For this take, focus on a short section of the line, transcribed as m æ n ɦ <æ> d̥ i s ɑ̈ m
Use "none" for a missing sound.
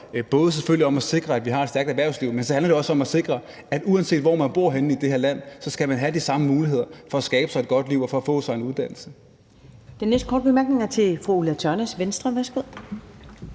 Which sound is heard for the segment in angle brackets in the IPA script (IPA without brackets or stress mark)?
æ